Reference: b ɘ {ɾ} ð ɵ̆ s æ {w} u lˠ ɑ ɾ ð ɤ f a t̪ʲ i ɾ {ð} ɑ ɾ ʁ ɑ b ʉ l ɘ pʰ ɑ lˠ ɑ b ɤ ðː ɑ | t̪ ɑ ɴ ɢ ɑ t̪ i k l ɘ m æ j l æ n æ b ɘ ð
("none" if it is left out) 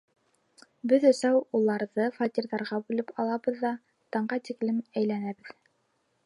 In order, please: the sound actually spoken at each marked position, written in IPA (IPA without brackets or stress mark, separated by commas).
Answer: none, w, ð